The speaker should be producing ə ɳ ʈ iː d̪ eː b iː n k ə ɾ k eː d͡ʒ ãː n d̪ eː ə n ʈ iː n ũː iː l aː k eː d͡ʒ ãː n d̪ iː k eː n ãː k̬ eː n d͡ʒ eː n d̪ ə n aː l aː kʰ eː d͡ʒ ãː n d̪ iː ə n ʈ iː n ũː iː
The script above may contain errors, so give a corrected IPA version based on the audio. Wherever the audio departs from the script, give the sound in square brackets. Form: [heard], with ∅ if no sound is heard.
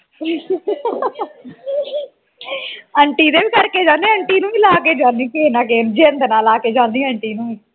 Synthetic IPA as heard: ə ɳ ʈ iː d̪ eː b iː [∅] k ə ɾ k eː d͡ʒ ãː n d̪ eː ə [ɳ] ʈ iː n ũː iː l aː k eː d͡ʒ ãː n d̪ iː k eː n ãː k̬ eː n d͡ʒ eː n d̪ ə n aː l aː [k] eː d͡ʒ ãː n d̪ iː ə [ɳ] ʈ iː n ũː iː